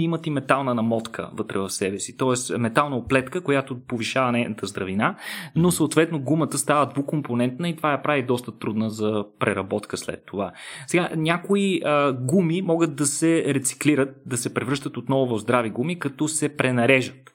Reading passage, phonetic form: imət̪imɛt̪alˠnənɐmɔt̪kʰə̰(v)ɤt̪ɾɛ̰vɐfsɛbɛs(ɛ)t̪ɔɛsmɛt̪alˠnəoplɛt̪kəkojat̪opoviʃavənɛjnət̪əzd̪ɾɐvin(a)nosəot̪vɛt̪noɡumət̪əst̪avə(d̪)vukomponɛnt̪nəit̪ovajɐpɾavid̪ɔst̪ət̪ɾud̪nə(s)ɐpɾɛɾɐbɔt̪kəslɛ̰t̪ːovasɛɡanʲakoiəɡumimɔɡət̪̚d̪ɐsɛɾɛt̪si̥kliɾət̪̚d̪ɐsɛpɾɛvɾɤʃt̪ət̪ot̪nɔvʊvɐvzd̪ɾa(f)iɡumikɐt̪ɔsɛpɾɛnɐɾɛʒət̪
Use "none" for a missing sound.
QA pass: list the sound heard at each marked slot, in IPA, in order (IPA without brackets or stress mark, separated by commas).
v, i, a, d̪, z, v